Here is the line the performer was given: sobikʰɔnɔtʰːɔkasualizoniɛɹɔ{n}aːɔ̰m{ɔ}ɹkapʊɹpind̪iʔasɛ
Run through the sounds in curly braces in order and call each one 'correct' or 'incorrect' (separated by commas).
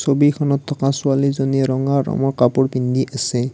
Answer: incorrect, correct